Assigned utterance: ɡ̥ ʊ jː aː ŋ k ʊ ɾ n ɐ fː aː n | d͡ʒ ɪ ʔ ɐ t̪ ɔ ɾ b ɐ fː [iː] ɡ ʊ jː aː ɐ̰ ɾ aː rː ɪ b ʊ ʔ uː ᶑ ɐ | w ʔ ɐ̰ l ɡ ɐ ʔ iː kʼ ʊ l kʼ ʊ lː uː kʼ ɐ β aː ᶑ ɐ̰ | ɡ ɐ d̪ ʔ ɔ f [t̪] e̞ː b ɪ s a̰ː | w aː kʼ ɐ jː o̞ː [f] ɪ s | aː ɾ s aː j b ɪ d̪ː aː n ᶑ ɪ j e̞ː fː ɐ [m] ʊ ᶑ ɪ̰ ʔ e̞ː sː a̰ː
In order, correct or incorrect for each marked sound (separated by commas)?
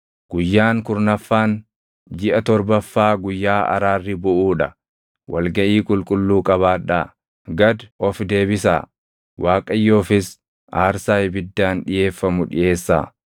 incorrect, incorrect, correct, correct